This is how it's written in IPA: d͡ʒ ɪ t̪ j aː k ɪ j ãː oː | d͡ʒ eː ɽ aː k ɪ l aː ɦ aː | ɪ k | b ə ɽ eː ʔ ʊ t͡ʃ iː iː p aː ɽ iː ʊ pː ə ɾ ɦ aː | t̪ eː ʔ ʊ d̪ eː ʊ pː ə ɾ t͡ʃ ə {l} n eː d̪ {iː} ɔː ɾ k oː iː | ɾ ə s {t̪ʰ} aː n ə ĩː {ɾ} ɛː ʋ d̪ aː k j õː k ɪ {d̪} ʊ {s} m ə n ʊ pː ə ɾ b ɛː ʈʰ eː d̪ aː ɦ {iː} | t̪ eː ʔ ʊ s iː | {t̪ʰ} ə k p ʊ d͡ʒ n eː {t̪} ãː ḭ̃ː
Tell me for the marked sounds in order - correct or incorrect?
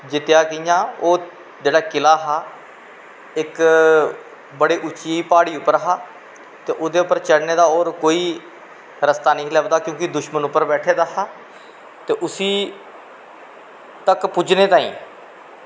incorrect, incorrect, incorrect, incorrect, correct, incorrect, incorrect, incorrect, correct

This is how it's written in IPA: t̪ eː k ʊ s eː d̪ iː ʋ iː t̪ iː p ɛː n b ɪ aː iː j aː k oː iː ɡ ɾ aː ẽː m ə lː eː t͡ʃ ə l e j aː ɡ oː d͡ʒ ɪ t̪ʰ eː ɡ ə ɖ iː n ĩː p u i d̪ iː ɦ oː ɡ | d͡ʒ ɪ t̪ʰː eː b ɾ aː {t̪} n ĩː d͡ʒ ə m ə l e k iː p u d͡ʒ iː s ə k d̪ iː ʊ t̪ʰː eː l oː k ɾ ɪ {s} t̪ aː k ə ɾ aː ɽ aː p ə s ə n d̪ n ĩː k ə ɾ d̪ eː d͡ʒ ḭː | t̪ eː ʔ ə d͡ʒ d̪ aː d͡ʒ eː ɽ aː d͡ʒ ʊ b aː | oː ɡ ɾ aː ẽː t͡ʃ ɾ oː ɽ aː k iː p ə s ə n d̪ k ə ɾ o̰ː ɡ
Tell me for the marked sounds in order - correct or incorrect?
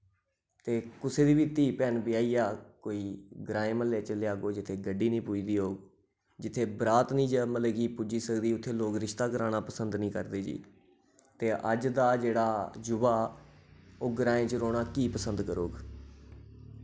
correct, incorrect

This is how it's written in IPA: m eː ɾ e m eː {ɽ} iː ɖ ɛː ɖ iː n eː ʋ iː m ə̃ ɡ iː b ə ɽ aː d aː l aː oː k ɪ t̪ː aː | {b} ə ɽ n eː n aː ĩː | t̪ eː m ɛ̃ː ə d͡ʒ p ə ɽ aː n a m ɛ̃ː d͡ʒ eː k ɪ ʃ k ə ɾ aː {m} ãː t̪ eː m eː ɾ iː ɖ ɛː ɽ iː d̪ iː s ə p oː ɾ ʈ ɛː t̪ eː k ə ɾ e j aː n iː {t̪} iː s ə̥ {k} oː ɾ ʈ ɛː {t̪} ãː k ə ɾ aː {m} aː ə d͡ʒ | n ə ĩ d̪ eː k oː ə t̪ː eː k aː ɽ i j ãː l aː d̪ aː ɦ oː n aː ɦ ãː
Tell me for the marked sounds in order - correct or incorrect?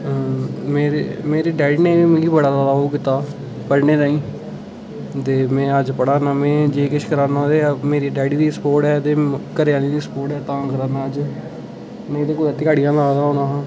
incorrect, incorrect, incorrect, incorrect, incorrect, correct, incorrect

